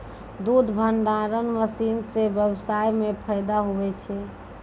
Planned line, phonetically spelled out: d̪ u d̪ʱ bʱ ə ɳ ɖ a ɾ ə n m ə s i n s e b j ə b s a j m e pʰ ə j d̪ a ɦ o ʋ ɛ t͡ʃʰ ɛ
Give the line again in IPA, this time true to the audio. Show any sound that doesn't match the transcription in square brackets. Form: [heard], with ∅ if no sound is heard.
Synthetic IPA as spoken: d̪ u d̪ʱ bʱ ə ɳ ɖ a ɾ ə n m ə s i n s e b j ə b s a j m e pʰ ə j d̪ a ɦ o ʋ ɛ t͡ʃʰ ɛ